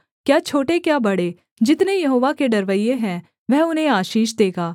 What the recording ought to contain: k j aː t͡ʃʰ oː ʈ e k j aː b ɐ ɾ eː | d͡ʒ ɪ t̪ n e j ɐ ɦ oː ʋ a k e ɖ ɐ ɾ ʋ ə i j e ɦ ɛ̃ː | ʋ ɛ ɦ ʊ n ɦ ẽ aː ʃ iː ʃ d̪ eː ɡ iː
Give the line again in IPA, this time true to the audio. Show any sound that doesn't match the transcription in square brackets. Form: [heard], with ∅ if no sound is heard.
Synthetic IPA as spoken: k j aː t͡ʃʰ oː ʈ e k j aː b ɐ [ɽ] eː | d͡ʒ ɪ t̪ n e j ɐ ɦ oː ʋ a k e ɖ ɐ ɾ ʋ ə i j e ɦ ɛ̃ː | ʋ ɛ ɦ ʊ n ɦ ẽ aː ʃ iː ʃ d̪ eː ɡ [aː]

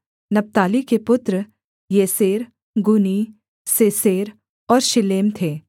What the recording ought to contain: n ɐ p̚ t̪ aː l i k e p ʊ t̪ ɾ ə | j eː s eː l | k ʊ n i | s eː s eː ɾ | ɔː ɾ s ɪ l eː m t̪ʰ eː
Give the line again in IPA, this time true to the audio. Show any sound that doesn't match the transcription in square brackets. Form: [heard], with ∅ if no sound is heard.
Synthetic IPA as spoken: n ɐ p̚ t̪ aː l i k e p ʊ t̪ ɾ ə | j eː s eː [ɾ] | [ɡ] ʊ n i | s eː s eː ɾ | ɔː ɾ [ʃ] ɪ l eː m t̪ʰ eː

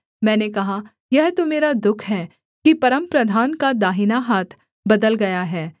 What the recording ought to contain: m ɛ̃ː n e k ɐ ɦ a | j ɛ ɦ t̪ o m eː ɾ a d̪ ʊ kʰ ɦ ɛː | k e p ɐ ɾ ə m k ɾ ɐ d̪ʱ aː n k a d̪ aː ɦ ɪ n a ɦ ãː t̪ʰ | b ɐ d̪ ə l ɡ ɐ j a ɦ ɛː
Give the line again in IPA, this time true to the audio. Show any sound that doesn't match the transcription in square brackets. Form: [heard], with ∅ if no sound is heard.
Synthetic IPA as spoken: m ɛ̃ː n e k ɐ ɦ a | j ɛ ɦ t̪ o m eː ɾ a d̪ ʊ kʰ ɦ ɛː | k [i] p ɐ ɾ ə m [p] ɾ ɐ d̪ʱ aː n k a d̪ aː ɦ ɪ n a ɦ [aː] t̪ʰ | b ɐ d̪ ə l ɡ ɐ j a ɦ ɛː

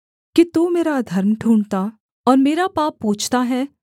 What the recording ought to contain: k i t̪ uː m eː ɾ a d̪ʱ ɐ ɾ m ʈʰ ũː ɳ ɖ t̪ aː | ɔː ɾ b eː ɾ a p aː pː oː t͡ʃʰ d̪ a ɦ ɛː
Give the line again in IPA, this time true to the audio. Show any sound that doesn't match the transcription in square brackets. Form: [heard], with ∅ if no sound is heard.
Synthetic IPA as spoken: k i t̪ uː m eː ɾ a d̪ʱ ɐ ɾ m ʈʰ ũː ɳ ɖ t̪ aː | ɔː ɾ [m] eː ɾ a p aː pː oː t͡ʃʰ [t̪] a ɦ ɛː

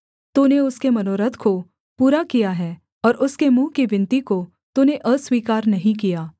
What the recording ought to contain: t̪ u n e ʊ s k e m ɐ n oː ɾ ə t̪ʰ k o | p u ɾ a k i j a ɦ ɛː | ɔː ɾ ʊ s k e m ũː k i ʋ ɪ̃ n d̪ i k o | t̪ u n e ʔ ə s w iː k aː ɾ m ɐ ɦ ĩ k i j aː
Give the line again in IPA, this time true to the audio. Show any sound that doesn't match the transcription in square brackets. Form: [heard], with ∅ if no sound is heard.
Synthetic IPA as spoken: t̪ u n e ʊ s k e m ɐ n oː ɾ ə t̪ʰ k o | p [uː] ɾ a k i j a ɦ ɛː | ɔː ɾ ʊ s k e m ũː k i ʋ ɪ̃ n [t̪] i k o | t̪ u n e ʔ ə s w iː k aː ɾ [n] ɐ ɦ ĩ k i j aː

